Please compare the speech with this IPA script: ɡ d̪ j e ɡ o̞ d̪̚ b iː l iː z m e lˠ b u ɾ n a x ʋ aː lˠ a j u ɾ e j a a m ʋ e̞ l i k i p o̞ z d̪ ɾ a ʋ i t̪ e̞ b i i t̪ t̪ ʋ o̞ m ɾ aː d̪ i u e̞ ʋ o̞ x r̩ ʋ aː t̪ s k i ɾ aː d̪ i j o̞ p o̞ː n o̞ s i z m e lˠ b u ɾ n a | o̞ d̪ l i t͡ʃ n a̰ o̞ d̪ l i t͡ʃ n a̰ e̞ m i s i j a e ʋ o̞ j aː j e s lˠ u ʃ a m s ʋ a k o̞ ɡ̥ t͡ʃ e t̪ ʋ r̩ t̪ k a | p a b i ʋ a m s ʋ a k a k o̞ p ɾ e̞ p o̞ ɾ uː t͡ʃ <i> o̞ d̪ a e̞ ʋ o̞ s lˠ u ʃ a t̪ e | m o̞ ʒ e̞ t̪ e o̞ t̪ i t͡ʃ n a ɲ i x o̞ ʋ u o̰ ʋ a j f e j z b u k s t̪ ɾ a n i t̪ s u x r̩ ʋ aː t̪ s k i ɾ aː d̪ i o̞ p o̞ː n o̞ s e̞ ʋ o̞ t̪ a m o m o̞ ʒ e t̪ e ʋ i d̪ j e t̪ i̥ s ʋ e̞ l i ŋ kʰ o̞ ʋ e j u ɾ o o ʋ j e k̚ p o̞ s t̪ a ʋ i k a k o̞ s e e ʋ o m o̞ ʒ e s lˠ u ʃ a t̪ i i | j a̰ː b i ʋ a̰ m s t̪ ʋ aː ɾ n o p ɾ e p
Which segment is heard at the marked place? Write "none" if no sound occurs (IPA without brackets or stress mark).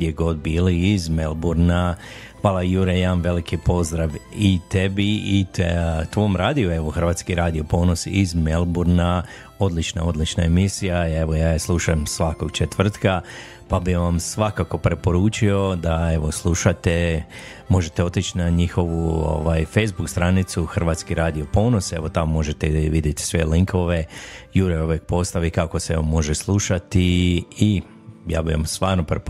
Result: i